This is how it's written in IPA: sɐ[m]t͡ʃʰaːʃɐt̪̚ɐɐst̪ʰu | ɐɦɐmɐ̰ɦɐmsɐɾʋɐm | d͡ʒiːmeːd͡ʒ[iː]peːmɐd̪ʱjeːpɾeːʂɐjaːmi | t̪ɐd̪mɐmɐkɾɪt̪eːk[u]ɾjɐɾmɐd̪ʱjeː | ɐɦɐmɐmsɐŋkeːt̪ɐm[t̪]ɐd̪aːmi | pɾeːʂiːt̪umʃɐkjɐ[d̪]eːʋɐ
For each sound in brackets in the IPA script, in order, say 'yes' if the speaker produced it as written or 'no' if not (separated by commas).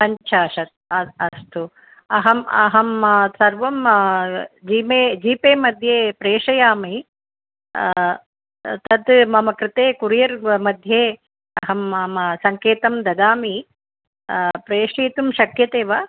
no, yes, yes, no, no